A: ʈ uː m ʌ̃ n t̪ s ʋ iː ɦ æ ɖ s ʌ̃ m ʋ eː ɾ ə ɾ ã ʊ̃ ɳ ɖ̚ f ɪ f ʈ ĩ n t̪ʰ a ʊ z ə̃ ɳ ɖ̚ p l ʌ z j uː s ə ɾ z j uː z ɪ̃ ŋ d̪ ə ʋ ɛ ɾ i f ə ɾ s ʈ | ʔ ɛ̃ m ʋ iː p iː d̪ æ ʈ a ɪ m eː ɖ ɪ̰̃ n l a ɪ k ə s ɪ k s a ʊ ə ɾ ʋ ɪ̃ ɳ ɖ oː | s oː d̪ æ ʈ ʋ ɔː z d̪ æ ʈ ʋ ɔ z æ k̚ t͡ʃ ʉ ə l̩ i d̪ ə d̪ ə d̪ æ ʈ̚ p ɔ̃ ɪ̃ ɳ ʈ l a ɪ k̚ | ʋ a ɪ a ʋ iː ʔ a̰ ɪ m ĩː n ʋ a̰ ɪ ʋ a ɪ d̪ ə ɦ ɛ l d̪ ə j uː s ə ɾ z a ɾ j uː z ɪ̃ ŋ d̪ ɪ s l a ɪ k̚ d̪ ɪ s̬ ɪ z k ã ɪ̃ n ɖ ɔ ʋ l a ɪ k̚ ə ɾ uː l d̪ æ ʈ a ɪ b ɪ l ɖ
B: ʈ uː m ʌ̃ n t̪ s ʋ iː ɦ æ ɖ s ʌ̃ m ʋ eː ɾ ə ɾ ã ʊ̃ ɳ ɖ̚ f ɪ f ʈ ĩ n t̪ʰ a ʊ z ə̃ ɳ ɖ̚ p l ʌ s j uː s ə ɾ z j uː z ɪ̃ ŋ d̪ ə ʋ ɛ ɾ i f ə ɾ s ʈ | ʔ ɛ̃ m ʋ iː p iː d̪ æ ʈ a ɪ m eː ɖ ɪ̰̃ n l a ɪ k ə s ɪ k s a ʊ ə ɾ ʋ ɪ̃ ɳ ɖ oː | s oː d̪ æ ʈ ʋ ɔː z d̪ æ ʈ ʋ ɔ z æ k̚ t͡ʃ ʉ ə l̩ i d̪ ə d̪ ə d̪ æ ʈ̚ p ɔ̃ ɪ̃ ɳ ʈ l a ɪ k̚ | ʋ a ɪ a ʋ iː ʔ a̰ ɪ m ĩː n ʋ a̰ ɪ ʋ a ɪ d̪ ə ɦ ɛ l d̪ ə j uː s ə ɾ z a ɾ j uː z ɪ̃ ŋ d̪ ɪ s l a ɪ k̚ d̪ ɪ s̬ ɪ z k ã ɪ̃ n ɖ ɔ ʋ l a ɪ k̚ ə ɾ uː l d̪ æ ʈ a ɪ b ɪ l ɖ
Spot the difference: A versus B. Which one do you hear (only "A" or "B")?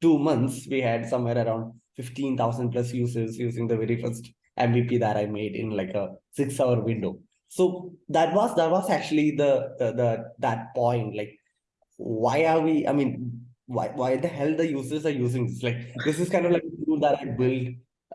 B